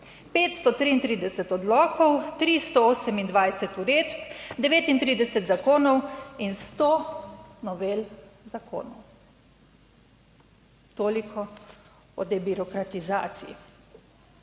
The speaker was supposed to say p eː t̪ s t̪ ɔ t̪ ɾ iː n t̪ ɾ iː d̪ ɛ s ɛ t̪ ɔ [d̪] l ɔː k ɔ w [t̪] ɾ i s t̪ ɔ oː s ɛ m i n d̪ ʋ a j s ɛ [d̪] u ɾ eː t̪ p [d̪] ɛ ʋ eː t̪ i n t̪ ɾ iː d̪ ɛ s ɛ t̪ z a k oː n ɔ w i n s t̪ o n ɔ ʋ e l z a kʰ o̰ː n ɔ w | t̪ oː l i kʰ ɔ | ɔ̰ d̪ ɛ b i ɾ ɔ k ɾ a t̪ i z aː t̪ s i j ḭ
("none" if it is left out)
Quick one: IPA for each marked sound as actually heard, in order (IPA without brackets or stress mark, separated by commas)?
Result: d̪, t̪, t̪, d̪